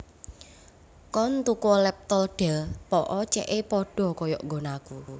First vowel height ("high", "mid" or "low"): mid